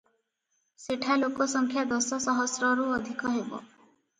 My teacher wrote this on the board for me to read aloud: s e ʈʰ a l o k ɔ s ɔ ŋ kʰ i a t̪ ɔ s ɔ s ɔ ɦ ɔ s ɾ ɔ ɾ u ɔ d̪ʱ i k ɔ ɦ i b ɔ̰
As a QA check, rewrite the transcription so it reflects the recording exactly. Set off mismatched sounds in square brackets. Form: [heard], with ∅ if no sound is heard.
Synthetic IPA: s e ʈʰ a l o k ɔ s ɔ ŋ kʰ [j] a [d̪] ɔ s ɔ s ɔ ɦ ɔ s ɾ ɔ ɾ u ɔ d̪ʱ i k ɔ ɦ [e] b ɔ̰

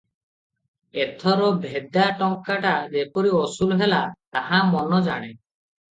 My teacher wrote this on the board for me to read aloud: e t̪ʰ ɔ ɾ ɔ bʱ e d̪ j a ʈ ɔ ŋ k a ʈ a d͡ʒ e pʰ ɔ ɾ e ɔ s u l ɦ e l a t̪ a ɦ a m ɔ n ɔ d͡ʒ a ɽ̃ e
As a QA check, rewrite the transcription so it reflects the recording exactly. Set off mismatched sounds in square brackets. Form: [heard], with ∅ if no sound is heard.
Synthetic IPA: e t̪ʰ ɔ ɾ ɔ bʱ e d̪ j a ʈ ɔ ŋ k a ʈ a d͡ʒ e [p] ɔ ɾ [i] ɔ s u l ɦ e l a t̪ a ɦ a m ɔ n ɔ d͡ʒ a ɽ̃ e

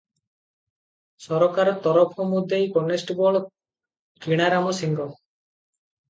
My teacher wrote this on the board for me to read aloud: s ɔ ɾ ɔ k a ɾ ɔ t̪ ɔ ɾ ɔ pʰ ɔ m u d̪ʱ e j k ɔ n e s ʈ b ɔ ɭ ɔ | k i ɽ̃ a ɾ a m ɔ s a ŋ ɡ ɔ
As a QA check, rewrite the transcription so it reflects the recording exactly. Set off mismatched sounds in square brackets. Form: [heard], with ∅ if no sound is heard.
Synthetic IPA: s ɔ ɾ ɔ k a ɾ ɔ t̪ ɔ ɾ ɔ pʰ ɔ m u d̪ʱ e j k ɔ n e s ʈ b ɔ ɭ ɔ | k i ɽ̃ a ɾ a m ɔ s [i] ŋ ɡ ɔ

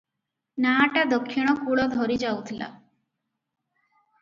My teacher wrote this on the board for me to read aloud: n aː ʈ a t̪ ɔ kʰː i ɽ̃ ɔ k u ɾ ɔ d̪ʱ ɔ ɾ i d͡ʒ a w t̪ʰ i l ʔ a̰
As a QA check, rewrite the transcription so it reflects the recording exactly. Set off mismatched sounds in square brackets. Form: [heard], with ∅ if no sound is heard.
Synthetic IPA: n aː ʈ a [d̪] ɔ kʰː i ɽ̃ ɔ k u [ɭ] ɔ d̪ʱ ɔ ɾ i d͡ʒ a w t̪ʰ i l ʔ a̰

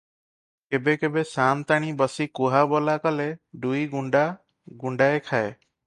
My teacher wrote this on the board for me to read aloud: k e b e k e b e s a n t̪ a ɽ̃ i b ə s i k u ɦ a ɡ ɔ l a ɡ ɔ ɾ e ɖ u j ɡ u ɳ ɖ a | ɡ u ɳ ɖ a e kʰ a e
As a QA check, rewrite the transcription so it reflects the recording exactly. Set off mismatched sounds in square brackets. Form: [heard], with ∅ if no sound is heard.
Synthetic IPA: k e b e k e b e s a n t̪ a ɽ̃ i b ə s i k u ɦ a [b] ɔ l a [k] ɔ [l] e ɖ u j ɡ u ɳ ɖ a | ɡ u ɳ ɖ a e kʰ a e

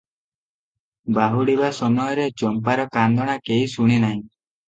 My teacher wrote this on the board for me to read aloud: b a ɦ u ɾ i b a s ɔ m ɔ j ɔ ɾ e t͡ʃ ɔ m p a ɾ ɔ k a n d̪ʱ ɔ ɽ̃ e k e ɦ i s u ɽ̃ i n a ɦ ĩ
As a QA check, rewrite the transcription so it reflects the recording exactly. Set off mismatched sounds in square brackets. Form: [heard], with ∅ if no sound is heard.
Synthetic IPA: b a ɦ u [ɽ] i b a s ɔ m ɔ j ɔ ɾ e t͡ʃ ɔ m p a ɾ ɔ k a n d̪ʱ ɔ ɽ̃ [a] k e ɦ i s u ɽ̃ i n a ɦ ĩ

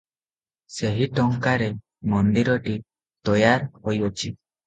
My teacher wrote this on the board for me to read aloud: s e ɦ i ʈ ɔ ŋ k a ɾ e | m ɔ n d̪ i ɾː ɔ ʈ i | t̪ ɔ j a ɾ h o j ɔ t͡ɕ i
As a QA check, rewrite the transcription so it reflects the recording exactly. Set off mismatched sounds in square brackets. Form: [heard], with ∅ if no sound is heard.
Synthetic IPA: s e ɦ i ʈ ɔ ŋ k a ɾ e | m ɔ n d̪ i [ɾ] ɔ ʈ i | t̪ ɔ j a ɾ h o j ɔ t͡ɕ i

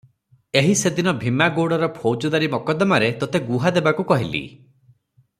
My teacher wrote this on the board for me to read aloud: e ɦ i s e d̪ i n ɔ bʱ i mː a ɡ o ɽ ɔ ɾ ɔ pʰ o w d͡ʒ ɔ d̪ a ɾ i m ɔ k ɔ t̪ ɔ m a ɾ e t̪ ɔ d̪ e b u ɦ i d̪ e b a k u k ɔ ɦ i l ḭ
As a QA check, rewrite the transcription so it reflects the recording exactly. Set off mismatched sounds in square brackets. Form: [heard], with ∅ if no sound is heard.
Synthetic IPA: e ɦ i s e d̪ i n ɔ bʱ i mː a ɡ o ɽ ɔ ɾ ɔ pʰ o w d͡ʒ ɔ d̪ a ɾ i m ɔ k ɔ [d̪] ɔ m a ɾ e t̪ ɔ [t̪] e [ɡ] u ɦ [a] d̪ e b a k u k ɔ ɦ i l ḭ

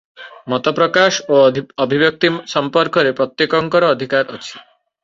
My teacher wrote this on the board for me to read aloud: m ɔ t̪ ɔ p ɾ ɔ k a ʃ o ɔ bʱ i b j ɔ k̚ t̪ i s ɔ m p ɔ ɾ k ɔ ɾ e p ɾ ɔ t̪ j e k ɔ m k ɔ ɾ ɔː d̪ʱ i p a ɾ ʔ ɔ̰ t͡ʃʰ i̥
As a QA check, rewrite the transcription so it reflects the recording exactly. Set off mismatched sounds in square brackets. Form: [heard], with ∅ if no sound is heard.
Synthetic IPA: m ɔ t̪ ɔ p ɾ ɔ k a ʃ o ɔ bʱ i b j ɔ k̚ t̪ i s ɔ m p ɔ ɾ k ɔ ɾ e p ɾ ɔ t̪ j e k ɔ [ŋ] k ɔ ɾ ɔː d̪ʱ i [k] a ɾ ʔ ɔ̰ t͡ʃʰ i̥

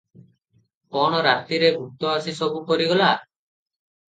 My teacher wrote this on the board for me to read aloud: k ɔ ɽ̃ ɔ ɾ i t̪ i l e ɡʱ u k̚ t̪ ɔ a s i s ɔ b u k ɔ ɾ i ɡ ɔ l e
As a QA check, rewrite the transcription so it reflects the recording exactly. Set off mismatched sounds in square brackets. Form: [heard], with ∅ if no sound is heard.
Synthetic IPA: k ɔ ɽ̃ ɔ ɾ [a] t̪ i [ɾ] e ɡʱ u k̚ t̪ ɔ a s i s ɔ b u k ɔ ɾ i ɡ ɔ l [a]

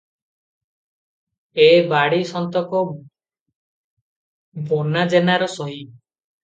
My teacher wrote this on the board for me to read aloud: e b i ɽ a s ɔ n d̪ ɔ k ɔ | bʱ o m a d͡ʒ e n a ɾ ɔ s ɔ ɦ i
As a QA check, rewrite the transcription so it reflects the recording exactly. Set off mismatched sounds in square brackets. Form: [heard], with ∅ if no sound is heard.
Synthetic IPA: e b [a] ɽ [i] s ɔ n [t̪] ɔ k ɔ | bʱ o [n] a d͡ʒ e n a ɾ ɔ s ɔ ɦ i

